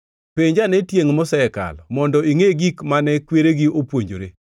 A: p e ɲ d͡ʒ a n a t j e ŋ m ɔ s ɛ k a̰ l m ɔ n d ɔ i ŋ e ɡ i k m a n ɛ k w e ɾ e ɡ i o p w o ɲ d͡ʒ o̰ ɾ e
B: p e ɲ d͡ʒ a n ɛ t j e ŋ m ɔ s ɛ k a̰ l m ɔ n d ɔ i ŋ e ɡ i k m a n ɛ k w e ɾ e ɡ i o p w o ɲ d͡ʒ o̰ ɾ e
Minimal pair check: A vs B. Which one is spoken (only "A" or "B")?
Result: B